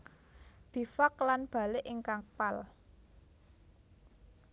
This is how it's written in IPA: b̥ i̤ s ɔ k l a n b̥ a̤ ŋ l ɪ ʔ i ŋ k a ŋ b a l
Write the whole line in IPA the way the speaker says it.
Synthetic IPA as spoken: b̥ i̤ f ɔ k l a n b̥ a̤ l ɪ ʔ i ŋ k a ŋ p a l